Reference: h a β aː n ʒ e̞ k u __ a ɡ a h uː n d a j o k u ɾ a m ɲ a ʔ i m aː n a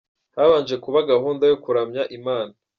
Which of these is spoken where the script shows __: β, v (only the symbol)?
β